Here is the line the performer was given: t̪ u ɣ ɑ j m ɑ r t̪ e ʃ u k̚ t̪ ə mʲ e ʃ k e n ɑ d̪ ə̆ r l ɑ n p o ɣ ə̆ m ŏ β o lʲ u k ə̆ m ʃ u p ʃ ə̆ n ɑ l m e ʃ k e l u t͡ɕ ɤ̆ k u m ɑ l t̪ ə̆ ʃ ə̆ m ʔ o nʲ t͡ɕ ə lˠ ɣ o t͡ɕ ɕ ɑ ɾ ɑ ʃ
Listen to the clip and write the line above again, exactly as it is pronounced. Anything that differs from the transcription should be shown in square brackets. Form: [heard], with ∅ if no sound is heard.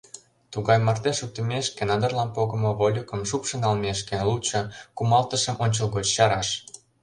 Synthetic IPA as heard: t̪ u ɣ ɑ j m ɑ r t̪ e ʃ u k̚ t̪ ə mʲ e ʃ k e n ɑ d̪ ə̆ r l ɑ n p o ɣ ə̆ m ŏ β o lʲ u k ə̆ m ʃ u p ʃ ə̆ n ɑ l m e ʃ k e l u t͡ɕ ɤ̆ k u m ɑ l t̪ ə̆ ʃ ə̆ m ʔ o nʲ t͡ɕ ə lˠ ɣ o t͡ɕ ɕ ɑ ɾ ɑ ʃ

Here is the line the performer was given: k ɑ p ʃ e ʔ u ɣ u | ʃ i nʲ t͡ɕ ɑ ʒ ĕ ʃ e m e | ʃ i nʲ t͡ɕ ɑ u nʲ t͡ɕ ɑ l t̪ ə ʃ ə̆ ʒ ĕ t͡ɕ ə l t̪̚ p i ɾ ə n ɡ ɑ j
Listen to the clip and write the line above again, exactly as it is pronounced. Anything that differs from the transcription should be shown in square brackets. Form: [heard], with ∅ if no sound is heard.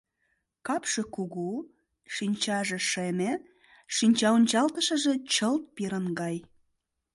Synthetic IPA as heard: k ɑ p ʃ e [k] u ɣ u | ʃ i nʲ t͡ɕ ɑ ʒ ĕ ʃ e m e | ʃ i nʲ t͡ɕ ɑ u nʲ t͡ɕ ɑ l t̪ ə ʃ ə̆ ʒ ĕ t͡ɕ ə l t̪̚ p i ɾ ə n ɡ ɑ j

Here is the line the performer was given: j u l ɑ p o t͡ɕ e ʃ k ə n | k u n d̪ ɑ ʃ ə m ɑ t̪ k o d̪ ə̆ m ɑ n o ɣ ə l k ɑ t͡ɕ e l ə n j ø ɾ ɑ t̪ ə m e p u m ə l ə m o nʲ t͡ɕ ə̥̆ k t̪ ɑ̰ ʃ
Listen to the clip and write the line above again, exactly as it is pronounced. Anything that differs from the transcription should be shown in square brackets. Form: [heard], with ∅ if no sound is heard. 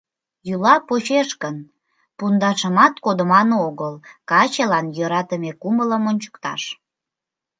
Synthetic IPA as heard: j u l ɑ p o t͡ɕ e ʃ k ə n | [p] u n d̪ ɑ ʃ ə m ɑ t̪ k o d̪ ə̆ m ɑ n o ɣ ə l k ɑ t͡ɕ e l [ɑ] n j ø ɾ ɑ t̪ ə m e [k] u m ə l ə m o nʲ t͡ɕ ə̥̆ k t̪ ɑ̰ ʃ

